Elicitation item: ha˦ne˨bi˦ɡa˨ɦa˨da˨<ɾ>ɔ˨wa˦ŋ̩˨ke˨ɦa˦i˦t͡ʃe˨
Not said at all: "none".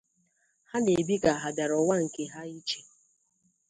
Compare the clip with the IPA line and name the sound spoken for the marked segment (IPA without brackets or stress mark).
ɾ